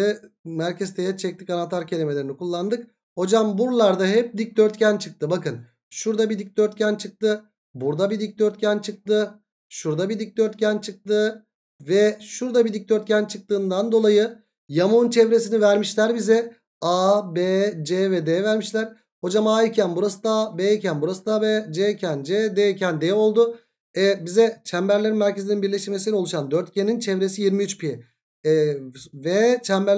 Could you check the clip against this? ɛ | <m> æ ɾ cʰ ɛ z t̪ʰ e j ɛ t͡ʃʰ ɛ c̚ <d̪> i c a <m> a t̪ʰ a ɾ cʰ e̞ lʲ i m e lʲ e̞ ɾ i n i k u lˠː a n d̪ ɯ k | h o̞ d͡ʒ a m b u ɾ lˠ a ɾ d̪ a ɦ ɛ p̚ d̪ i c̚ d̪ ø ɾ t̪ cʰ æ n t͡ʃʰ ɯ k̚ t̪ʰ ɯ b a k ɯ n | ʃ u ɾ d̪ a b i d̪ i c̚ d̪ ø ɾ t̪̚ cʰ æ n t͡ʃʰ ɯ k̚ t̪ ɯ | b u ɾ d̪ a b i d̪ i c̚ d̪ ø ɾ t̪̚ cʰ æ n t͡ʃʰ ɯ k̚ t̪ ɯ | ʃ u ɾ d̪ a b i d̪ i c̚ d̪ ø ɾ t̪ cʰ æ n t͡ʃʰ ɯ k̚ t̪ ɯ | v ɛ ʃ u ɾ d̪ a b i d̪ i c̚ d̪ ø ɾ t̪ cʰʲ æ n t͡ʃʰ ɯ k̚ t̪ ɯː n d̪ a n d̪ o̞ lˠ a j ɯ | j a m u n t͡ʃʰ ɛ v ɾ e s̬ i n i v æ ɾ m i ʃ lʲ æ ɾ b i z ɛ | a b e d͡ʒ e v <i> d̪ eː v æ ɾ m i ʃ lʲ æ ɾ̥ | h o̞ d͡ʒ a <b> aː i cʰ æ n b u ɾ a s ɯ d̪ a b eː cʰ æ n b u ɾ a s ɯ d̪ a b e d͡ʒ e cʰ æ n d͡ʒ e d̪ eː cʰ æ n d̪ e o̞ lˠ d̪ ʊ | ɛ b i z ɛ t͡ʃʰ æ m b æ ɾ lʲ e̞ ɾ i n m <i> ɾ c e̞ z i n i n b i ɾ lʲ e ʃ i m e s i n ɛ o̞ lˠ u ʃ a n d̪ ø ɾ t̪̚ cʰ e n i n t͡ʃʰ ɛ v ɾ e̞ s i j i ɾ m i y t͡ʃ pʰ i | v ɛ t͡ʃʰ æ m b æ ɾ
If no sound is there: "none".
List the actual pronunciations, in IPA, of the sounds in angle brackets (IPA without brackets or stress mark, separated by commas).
m, t̪, n, ɛ, m, æ